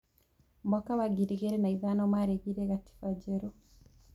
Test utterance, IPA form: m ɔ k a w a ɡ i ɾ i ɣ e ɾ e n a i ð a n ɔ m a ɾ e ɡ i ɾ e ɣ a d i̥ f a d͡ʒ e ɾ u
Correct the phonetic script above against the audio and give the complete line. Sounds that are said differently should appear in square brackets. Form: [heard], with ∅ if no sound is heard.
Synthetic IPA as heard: m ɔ k a w a ɡ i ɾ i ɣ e ɾ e n a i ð a n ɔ m a ɾ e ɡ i ɾ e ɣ a [t] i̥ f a d͡ʒ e ɾ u